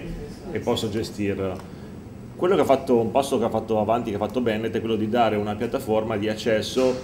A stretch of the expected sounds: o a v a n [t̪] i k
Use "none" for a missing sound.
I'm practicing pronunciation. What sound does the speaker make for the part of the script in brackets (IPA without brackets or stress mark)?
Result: t̪